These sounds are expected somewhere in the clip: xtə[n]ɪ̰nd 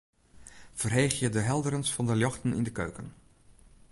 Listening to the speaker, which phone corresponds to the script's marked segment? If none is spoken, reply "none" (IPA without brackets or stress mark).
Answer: n